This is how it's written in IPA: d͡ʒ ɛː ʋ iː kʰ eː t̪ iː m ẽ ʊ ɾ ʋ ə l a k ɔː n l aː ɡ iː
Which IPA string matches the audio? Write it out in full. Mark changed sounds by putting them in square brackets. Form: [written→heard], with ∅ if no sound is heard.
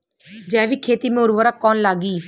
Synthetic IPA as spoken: d͡ʒ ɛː ʋ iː kʰ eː t̪ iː m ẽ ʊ ɾ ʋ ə [l→ɾ] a k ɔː n l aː ɡ iː